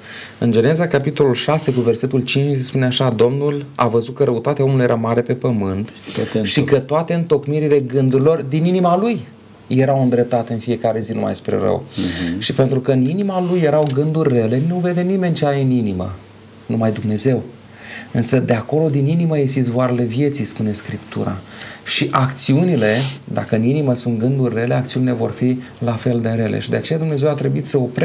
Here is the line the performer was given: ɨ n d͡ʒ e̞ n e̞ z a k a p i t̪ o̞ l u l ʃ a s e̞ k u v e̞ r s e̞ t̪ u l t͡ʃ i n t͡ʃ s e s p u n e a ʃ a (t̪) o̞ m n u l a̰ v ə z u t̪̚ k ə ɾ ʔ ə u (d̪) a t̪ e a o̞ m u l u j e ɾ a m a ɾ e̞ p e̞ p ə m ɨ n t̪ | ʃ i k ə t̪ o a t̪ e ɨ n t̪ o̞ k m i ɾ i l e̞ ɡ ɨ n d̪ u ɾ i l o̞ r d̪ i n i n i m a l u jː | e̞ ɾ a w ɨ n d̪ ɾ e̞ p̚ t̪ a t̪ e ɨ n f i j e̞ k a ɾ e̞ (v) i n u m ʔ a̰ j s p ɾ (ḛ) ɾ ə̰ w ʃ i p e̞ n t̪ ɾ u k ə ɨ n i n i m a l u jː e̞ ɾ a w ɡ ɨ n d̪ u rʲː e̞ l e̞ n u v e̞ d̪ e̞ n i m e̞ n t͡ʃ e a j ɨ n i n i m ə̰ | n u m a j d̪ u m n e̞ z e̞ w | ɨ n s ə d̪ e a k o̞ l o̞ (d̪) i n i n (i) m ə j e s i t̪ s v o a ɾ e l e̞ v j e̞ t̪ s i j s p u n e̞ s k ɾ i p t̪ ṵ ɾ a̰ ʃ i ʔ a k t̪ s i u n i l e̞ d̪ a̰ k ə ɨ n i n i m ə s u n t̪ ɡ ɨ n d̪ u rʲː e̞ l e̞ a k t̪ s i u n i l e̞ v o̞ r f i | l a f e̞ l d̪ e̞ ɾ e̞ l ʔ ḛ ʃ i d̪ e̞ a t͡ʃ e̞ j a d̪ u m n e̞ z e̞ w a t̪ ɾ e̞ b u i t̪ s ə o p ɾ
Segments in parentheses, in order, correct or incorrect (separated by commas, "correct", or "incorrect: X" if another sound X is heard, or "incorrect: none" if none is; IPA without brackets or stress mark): incorrect: d̪, incorrect: t̪, incorrect: z, correct, correct, correct